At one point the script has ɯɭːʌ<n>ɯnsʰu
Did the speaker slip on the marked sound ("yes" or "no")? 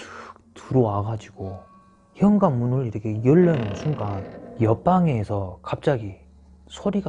no